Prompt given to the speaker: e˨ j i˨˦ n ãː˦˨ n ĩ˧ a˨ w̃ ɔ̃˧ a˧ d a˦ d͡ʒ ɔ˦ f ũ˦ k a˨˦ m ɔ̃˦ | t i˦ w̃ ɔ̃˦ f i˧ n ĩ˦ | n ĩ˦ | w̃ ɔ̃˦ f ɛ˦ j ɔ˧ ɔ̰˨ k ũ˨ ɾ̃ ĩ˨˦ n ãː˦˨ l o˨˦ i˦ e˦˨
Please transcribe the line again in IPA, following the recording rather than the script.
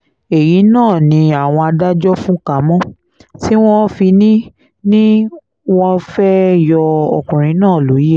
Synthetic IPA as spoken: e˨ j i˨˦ n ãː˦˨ n ĩ˧ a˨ w̃ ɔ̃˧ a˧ d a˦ d͡ʒ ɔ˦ f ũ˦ k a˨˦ m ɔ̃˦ | t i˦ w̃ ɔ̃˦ f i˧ n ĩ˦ | n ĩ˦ | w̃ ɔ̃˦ f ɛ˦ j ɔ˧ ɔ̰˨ k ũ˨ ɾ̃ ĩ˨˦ n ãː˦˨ l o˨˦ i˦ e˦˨

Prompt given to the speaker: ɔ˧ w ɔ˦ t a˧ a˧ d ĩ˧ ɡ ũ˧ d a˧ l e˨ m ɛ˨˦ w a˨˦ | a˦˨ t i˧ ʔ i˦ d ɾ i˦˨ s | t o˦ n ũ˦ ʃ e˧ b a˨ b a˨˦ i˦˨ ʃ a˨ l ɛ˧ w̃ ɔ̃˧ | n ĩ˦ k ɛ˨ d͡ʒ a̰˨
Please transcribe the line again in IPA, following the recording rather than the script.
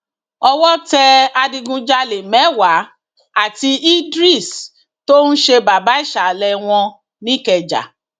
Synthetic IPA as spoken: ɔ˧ w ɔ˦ t ɛ˧ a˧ d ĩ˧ ɡ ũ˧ d͡ʒ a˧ l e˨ m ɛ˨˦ w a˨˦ | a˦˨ t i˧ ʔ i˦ d ɾ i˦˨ s | t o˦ n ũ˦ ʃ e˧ b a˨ b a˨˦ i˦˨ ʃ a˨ l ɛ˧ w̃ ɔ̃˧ | n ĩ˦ k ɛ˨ d͡ʒ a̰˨

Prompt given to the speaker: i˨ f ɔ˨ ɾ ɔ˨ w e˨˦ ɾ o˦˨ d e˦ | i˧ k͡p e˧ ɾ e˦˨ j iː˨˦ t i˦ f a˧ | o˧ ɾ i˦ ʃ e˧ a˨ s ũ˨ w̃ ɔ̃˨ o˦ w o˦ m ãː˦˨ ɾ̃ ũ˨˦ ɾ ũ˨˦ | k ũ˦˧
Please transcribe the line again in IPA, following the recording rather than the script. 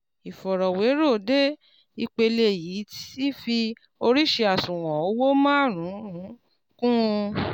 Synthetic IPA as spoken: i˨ f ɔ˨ ɾ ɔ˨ w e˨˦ ɾ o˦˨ d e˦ | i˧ k͡p e˧ l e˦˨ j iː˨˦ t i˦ f i˧ | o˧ ɾ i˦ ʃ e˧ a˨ s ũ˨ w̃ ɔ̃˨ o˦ w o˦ m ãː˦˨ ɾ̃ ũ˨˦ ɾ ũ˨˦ | k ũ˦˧

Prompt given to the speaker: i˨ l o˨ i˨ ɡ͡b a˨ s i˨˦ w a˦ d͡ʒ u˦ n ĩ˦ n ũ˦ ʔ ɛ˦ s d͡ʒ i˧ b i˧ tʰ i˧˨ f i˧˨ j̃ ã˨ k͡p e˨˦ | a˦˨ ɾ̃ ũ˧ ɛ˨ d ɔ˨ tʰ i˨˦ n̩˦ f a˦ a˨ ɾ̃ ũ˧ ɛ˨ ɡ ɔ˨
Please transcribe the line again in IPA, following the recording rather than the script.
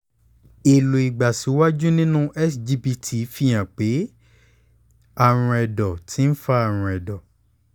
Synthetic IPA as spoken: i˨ l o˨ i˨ ɡ͡b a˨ s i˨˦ w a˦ d͡ʒ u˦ n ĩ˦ n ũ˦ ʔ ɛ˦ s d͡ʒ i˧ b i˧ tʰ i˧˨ f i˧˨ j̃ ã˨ k͡p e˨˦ | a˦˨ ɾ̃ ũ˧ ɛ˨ d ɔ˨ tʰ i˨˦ n̩˦ f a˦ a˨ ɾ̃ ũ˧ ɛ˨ d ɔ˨

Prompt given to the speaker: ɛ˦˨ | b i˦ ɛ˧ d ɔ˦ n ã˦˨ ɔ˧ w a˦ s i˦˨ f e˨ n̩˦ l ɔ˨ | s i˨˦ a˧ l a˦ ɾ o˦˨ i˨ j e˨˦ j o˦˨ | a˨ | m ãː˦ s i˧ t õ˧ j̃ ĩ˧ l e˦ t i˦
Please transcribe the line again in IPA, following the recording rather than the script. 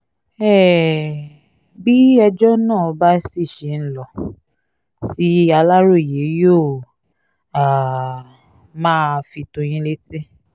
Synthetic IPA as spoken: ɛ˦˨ | b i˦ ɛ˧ d͡ʒ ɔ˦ n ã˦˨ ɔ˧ b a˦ s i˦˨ ʃ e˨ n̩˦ l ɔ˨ | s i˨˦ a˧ l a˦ ɾ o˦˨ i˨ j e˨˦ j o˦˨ | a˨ | m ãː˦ f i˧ t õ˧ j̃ ĩ˧ l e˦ t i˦

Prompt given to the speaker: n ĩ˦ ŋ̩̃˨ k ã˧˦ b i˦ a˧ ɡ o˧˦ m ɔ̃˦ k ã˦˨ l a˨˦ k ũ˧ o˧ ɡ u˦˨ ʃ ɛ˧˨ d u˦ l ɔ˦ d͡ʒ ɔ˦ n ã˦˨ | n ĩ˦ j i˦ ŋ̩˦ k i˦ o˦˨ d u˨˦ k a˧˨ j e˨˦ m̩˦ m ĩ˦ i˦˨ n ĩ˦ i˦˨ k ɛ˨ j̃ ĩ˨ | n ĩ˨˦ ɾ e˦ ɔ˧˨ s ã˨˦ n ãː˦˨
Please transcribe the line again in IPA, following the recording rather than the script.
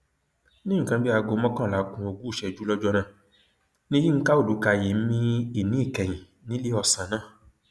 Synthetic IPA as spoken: n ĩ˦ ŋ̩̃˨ k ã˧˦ b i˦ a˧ ɡ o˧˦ m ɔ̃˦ k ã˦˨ l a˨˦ k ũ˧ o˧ ɡ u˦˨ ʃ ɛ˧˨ d͡ʒ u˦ l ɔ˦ d͡ʒ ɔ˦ n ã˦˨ | n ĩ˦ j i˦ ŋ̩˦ k a˦ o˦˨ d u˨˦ k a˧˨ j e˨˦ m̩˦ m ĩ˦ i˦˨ n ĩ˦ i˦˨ k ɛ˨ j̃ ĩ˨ | n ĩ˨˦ l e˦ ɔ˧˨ s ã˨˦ n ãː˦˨

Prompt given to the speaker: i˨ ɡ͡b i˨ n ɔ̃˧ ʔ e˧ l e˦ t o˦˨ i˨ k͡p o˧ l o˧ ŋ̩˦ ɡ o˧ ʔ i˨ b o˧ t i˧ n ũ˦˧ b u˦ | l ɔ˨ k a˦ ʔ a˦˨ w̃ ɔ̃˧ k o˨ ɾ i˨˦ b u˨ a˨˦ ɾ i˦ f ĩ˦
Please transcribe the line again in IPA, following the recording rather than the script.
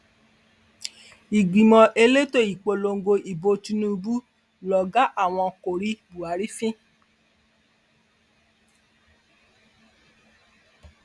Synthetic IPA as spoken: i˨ ɡ͡b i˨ m ɔ̃˧ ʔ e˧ l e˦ t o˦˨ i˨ k͡p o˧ l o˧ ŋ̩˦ ɡ o˧ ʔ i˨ b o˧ t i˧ n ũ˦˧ b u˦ | l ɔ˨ ɡ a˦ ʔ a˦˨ w̃ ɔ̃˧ k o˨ ɾ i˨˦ b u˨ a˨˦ ɾ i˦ f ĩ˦

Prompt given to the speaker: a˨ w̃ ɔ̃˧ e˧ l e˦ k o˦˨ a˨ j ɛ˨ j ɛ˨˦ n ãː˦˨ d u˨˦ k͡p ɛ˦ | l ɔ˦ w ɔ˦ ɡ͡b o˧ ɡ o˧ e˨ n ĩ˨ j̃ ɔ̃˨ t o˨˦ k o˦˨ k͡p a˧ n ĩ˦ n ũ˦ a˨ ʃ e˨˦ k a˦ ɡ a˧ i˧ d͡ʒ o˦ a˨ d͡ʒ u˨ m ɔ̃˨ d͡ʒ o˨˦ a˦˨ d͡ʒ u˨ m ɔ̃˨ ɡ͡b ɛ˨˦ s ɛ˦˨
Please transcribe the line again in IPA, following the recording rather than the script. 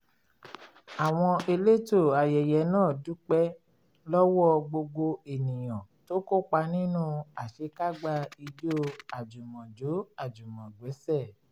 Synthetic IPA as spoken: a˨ w̃ ɔ̃˧ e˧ l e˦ t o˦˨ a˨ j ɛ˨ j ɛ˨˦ n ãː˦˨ d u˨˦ k͡p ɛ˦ | l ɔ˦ w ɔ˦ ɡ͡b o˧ ɡ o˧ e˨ n ĩ˨ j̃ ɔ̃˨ t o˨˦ k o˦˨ k͡p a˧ n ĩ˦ n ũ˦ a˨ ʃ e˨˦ k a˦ ɡ͡b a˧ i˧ d͡ʒ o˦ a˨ d͡ʒ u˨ m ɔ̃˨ d͡ʒ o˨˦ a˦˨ d͡ʒ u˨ m ɔ̃˨ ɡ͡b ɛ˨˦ s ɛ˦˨

